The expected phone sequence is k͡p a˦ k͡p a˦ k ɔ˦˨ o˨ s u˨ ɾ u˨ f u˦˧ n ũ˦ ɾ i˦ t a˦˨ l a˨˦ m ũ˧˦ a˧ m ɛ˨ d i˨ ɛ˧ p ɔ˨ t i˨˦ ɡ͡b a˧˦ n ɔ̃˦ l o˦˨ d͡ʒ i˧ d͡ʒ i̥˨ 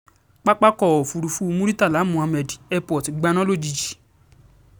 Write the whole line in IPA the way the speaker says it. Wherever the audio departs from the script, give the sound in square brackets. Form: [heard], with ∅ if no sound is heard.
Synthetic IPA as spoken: k͡p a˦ k͡p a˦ k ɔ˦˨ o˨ [f] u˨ ɾ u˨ f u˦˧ [m] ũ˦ ɾ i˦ t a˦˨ l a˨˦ m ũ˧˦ a˧ m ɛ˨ d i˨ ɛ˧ p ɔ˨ t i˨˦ ɡ͡b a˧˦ n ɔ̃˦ l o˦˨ d͡ʒ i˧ d͡ʒ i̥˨